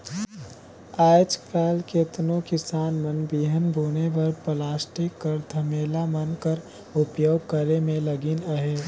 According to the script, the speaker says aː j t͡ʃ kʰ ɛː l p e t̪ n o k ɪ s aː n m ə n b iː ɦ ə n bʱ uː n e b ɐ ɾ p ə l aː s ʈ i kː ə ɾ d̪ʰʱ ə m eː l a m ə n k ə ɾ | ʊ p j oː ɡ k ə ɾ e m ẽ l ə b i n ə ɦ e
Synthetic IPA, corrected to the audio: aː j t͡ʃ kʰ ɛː l k e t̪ n o k ɪ s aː n m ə n b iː ɦ ə n bʱ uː n e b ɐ ɾ p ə l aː s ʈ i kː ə ɾ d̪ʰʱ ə m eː l a m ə n k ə ɾ | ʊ p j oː ɡ k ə ɾ e m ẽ l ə ɡ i n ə ɦ e